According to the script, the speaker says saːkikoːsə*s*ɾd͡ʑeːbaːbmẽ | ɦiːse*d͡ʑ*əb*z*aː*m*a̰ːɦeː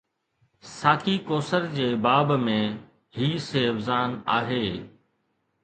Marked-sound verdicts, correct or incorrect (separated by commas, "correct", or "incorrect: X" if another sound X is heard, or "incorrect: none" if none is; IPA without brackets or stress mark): incorrect: none, incorrect: none, correct, incorrect: n